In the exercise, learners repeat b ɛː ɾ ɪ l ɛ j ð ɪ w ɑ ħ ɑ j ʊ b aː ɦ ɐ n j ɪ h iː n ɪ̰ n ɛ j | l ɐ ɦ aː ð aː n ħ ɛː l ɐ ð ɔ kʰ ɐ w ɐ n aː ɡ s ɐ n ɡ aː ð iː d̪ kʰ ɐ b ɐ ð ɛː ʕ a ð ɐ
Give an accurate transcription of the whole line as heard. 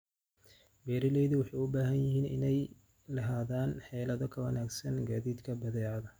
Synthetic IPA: b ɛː ɾ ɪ l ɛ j ð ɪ w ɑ ħ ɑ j ʊ b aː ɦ ɐ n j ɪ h iː n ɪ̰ n ɛ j | l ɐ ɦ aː ð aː n ħ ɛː l ɐ ð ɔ kʰ ɐ w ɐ n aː ɡ s ɐ n ɡ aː ð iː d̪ kʰ ɐ b ɐ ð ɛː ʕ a ð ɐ

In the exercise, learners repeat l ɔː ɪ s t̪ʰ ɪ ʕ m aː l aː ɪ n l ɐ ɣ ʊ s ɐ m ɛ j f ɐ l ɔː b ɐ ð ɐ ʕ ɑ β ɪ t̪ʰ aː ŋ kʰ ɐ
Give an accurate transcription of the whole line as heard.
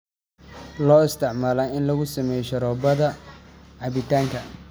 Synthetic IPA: l ɔː ɪ s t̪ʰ ɪ ʕ m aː l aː ɪ n l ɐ ɣ ʊ s ɐ m ɛ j ʃ ɐ ɾ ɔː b ɐ ð ɐ ʕ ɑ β ɪ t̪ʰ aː ŋ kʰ ɐ

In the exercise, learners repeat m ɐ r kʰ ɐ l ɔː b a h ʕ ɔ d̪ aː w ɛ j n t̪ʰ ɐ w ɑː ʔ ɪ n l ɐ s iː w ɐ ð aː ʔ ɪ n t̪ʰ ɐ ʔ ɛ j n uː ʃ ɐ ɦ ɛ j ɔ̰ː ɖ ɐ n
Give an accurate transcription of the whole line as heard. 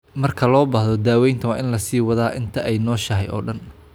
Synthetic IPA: m ɐ r kʰ ɐ l ɔː b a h ð ɔ d̪ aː w ɛ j n t̪ʰ ɐ w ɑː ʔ ɪ n l ɐ s iː w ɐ ð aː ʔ ɪ n t̪ʰ ɐ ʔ ɛ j n ɔː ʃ ɐ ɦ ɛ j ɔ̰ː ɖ ɐ n

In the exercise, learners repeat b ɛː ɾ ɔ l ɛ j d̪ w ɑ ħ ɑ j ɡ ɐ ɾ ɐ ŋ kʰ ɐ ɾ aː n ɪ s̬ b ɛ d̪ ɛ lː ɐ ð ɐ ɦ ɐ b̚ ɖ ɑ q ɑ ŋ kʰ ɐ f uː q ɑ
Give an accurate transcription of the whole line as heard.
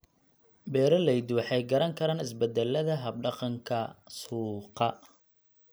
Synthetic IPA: b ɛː ɾ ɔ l ɛ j d̪ w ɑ ħ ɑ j ɡ ɐ ɾ ɐ ŋ kʰ ɐ ɾ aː n ɪ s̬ b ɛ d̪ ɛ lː ɐ ð ɐ ɦ ɐ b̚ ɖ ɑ q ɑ ŋ kʰ ɐ s uː q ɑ

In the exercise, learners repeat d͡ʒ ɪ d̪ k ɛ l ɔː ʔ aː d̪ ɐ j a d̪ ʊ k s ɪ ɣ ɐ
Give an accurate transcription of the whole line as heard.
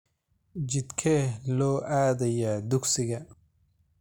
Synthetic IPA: d͡ʒ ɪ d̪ kʰ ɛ l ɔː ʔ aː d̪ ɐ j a d̪ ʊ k s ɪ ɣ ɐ

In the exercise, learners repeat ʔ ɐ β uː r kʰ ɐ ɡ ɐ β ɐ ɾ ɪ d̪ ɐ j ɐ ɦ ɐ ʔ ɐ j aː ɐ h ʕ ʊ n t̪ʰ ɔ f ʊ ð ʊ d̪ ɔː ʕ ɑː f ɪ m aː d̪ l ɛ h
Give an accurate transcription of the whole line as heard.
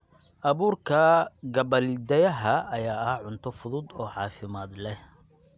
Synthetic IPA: ʔ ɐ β uː r kʰ ɐ ɡ ɐ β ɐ l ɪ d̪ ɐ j ɐ ɦ ɐ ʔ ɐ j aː ɐ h ʕ ʊ n t̪ʰ ɔ f ʊ ð ʊ d̪ ɔː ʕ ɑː f ɪ m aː d̪ l ɛ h

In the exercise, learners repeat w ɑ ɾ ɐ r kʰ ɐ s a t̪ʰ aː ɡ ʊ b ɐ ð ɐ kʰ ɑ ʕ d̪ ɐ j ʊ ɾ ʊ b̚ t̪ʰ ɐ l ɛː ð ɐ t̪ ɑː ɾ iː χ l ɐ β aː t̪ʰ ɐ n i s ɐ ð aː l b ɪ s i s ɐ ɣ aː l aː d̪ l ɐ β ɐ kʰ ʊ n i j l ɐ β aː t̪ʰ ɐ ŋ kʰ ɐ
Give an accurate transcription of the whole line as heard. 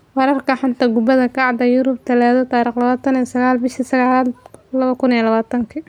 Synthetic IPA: w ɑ ɾ ɐ r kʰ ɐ ħ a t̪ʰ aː ɡ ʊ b ɐ ð ɐ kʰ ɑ ʕ d̪ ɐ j ʊ ɾ ʊ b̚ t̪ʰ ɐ l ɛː ð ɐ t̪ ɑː ɾ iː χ l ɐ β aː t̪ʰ ɐ n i s ɐ ɣ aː l b ɪ ʃ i s ɐ ɣ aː l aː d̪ l ɐ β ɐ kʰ ʊ n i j l ɐ β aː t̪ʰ ɐ ŋ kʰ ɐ

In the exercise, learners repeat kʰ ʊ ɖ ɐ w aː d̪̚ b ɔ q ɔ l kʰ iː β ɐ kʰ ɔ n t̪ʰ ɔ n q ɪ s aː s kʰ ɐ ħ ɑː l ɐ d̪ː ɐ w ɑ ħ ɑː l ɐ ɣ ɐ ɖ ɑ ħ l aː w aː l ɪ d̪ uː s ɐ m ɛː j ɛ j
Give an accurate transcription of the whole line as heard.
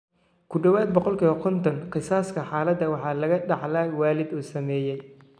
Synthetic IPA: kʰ ʊ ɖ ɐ w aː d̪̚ b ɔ q ɔ l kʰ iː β ɐ kʰ ɔ n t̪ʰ ɔ n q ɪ s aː s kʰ ɐ ħ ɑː l ɐ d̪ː ɐ w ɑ ħ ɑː l ɐ ɣ ɐ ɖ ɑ ħ l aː w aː l ɪ d̪ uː s ɐ m ɛː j ɛ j

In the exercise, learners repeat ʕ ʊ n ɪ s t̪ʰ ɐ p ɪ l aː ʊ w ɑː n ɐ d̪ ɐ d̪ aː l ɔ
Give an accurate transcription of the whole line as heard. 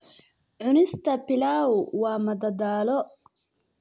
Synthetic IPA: ʕ ʊ n ɪ s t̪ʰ ɐ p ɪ l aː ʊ w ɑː m ɐ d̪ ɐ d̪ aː l ɔ

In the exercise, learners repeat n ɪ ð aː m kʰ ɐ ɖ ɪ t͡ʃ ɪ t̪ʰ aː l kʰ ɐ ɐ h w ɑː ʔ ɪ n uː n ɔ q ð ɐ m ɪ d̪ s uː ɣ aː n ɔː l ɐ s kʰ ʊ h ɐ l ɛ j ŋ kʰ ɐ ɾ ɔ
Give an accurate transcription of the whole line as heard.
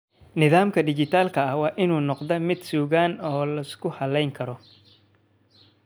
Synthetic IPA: n ɪ ð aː m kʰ ɐ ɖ ɪ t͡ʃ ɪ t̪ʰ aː l kʰ ɐ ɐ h w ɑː ʔ ɪ n uː n ɔ q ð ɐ m ɪ d̪ s uː ɣ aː n ɔː l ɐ s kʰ ʊ h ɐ l ɛ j ŋ kʰ ɐ ɾ ɔ

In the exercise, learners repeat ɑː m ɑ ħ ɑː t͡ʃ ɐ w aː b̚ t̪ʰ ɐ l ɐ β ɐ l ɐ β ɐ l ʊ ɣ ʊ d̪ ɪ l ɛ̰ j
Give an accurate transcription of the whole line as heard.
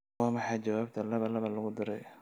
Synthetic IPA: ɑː m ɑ ħ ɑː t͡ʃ ɐ w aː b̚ t̪ʰ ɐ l ɐ β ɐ l ɐ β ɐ l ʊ ɣ ʊ d̪ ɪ ɾ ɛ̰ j

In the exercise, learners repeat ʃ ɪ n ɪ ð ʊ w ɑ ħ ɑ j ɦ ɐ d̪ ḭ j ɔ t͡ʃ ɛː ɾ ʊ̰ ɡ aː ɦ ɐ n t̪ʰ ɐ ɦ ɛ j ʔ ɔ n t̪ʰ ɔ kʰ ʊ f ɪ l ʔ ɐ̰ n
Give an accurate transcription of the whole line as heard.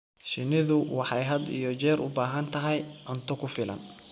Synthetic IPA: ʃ ɪ n ɪ ð ʊ w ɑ ħ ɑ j ɦ ɐ d̪ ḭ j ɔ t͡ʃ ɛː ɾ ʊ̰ b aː ɦ ɐ n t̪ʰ ɐ ɦ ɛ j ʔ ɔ n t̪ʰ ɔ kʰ ʊ f ɪ l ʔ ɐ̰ n

